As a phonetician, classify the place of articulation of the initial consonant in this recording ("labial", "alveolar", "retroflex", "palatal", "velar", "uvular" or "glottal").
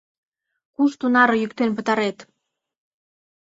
velar